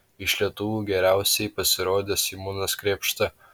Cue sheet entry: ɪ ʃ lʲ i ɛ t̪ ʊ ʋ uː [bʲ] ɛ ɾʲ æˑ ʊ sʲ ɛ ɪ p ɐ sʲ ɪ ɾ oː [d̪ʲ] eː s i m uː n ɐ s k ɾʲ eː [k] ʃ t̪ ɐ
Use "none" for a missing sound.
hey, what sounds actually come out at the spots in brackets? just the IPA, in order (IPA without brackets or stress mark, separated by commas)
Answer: ɡʲ, d̪ʲ, p